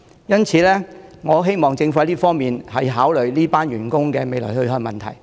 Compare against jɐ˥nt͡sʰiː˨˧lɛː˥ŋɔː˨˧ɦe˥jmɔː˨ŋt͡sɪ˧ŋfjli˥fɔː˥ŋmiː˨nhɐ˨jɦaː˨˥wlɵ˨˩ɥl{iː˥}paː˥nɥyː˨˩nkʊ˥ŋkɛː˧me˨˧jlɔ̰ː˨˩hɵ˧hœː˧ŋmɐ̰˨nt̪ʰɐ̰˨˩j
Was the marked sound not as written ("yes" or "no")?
no